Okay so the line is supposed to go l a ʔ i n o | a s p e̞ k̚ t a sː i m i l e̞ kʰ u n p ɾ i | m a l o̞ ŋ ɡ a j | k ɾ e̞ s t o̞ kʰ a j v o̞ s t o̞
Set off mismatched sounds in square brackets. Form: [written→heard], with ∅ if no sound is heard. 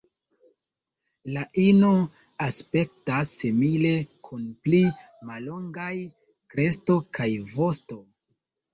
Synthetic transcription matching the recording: l a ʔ i n o | a s p e̞ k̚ t a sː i m i l e̞ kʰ u n p [ɾ→l] i | m a l o̞ ŋ ɡ a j | k ɾ e̞ s t o̞ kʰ a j v o̞ s t o̞